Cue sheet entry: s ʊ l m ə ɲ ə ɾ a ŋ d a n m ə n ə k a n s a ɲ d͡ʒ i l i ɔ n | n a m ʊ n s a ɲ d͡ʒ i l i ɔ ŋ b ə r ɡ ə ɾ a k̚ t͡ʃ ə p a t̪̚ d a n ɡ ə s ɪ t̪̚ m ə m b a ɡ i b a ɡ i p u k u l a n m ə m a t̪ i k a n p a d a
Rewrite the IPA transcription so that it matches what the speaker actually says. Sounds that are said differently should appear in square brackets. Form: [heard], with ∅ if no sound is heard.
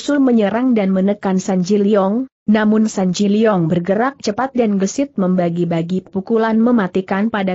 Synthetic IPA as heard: s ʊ l m ə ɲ ə ɾ a ŋ d a n m ə n ə k a n s a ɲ d͡ʒ i l i ɔ [ŋ] | n a m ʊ n s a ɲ d͡ʒ i l i ɔ ŋ b ə r ɡ ə ɾ a k̚ t͡ʃ ə p a t̪̚ d a n ɡ ə s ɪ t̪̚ m ə m b a ɡ i b a ɡ i p u k u l a n m ə m a t̪ i k a n p a d a